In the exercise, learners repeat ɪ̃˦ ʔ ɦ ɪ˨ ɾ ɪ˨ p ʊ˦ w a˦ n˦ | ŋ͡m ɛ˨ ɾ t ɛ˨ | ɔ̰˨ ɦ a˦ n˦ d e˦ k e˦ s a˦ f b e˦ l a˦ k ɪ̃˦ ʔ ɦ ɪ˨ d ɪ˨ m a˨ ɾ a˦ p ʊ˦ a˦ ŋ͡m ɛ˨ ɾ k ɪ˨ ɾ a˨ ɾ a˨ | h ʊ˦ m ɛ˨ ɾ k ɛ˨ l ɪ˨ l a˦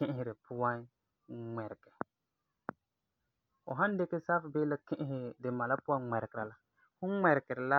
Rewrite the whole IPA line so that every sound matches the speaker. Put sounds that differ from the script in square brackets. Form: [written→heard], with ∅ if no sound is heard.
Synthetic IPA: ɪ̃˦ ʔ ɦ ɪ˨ ɾ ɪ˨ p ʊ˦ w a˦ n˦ | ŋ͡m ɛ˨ ɾ [t→k] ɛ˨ | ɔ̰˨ ɦ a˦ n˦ d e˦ k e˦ s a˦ f b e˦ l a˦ k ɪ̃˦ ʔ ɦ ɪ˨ d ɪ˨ m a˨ [ɾ→l] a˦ p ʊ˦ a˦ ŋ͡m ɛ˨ ɾ k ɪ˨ ɾ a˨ [ɾ→l] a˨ | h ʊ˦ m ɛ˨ ɾ k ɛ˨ [l→ɾ] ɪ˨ l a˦